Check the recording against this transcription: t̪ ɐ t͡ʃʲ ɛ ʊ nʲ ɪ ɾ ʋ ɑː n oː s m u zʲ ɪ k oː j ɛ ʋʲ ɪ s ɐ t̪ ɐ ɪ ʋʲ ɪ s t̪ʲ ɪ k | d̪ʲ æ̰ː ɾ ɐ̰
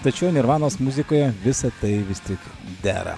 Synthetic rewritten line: t̪ ɐ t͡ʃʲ ɛ ʊ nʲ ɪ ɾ ʋ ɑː n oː s m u zʲ ɪ k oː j ɛ ʋʲ ɪ s ɐ t̪ ɐ ɪ ʋʲ ɪ s t̪ʲ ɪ k | d̪ʲ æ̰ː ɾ ɐ̰